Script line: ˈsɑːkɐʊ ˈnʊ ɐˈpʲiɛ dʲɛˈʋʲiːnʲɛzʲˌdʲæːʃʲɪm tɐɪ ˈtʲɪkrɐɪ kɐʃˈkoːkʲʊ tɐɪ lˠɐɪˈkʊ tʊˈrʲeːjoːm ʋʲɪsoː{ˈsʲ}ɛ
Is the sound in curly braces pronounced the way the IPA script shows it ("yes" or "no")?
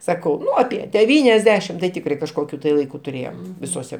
yes